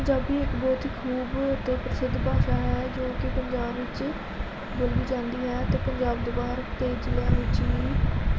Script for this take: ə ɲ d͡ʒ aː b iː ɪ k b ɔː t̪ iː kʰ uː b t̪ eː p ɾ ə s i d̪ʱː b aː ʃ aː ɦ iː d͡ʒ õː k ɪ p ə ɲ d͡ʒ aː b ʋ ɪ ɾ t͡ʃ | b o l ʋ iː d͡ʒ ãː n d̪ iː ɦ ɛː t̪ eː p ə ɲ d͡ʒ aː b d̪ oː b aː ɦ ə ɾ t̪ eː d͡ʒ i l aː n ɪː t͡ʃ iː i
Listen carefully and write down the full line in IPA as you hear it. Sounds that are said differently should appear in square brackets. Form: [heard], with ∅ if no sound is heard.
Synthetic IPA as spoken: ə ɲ d͡ʒ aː b iː ɪ k b ɔː t̪ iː kʰ uː b t̪ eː p ɾ ə s [ɪ] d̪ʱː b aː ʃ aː ɦ [ɛː] d͡ʒ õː k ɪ p ə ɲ d͡ʒ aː b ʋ ɪ [∅] t͡ʃ | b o l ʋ iː d͡ʒ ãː n d̪ iː ɦ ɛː t̪ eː p ə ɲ d͡ʒ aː b d̪ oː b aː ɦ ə ɾ t̪ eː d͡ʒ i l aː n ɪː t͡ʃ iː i